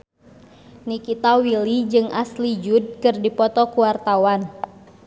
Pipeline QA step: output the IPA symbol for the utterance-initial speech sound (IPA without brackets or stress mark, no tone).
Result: n